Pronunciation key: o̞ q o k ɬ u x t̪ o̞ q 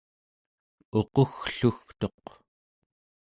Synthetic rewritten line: o̞ q o x ɬ u x t̪ o̞ q